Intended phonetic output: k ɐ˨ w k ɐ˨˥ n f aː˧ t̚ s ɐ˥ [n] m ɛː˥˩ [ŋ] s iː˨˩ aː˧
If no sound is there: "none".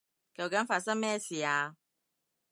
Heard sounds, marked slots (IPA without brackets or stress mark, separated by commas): ŋ, none